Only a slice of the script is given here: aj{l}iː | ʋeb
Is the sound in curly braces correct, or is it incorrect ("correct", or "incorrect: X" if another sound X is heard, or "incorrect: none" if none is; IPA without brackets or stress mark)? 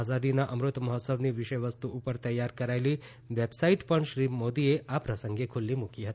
correct